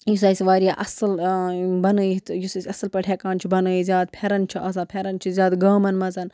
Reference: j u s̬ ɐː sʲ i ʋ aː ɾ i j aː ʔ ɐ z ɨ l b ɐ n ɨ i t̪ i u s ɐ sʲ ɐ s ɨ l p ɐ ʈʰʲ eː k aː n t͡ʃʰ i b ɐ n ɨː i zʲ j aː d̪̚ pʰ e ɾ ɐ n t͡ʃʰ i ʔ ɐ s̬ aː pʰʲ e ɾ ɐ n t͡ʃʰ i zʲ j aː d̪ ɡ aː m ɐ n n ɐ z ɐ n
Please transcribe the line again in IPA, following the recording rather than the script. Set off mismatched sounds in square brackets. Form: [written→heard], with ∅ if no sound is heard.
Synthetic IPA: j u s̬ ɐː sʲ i ʋ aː ɾ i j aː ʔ ɐ [z→s] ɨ l b ɐ n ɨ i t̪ [i→j] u s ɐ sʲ ɐ s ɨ l p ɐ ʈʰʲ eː k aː n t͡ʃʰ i b ɐ n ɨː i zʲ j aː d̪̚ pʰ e ɾ ɐ n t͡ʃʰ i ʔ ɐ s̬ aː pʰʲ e ɾ ɐ n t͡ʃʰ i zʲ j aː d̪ ɡ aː m ɐ n [n→m] ɐ z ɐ n